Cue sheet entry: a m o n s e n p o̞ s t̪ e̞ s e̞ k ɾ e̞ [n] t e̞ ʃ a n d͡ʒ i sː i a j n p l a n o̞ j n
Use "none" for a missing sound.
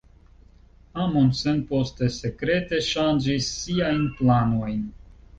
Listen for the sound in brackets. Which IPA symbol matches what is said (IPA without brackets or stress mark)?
none